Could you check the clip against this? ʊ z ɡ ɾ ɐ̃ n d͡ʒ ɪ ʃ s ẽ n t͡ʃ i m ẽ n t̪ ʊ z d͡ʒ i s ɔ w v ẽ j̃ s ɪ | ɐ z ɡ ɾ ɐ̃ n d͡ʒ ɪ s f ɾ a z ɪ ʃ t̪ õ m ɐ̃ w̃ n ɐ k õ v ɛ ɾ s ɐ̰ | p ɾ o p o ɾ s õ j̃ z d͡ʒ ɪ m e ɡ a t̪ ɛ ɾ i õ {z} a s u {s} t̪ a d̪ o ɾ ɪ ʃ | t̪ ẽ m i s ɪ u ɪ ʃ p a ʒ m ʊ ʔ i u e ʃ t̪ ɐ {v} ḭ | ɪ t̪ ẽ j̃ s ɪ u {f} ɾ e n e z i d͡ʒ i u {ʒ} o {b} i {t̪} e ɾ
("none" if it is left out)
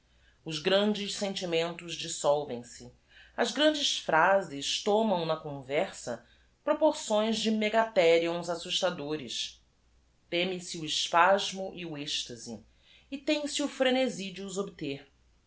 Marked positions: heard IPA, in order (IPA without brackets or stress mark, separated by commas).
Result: z, ʃ, z, f, z, b, t̪